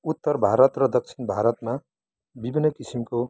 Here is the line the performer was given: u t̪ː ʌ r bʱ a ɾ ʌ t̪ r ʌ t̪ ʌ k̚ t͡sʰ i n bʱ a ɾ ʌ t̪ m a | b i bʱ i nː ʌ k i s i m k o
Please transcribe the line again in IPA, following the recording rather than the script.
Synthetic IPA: u t̪ː ʌ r bʱ a ɾ ʌ t̪ r ʌ d̪ ʌ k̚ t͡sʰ i n bʱ a ɾ ʌ t̪ m a | b i bʱ i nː ʌ k i s i m k o